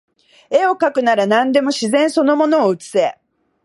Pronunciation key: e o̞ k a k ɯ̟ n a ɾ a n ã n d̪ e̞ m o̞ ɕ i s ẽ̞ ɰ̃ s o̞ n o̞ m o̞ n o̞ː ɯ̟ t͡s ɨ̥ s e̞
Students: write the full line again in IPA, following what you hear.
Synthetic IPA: e o̞ k a k ɯ̟ n a ɾ a n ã n d̪ e̞ m o̞ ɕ i z ẽ̞ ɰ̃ s o̞ n o̞ m o̞ n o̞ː ɯ̟ t͡s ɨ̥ s e̞